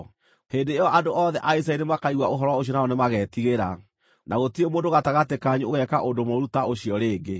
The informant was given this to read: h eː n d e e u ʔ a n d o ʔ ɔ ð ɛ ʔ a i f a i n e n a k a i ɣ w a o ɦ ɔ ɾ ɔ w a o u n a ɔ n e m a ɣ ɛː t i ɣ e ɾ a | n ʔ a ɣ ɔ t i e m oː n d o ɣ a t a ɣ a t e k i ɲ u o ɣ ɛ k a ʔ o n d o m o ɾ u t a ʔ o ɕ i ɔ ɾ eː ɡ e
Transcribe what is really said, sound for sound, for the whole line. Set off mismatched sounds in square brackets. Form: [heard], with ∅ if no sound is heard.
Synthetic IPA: h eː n d e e [ɔ] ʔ a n d o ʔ ɔ ð ɛ ʔ a i [s] a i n e [m] a k a i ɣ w a o ɦ ɔ ɾ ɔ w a o [ɔ] n a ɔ n e m a ɣ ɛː t i ɣ e ɾ a | n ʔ a ɣ [o] t i e m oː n d o ɣ a t a ɣ a t e k [a] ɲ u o ɣ ɛ k a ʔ o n d o m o ɾ u t a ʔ o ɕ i ɔ ɾ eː ɡ e